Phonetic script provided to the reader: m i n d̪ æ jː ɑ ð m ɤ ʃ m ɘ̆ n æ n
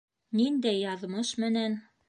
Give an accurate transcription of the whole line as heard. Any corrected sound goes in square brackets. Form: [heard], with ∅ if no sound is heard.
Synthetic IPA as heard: [n] i n d̪ æ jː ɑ ð m ɤ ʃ m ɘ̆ n æ n